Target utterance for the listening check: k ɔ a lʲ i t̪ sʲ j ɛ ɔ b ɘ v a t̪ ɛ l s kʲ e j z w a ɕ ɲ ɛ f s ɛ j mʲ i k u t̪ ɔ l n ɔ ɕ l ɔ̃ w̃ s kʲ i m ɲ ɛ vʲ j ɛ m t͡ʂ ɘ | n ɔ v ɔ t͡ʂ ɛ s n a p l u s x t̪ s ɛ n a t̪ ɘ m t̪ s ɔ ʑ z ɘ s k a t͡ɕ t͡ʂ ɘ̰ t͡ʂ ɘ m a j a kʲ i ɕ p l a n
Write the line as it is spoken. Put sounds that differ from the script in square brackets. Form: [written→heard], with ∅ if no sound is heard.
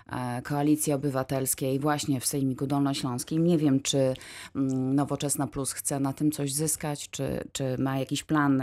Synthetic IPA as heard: k ɔ a lʲ i t̪ sʲ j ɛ ɔ b ɘ v a t̪ ɛ l s kʲ e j [z→v] w a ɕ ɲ ɛ f s ɛ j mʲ i k u [t̪→d̪] ɔ l n ɔ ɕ l ɔ̃ w̃ s kʲ i m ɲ ɛ vʲ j ɛ m t͡ʂ ɘ | n ɔ v ɔ t͡ʂ ɛ s n a p l u s x t̪ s ɛ n a t̪ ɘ m t̪ s ɔ ʑ z ɘ s k a t͡ɕ t͡ʂ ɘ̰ t͡ʂ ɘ m a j a kʲ i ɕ p l a n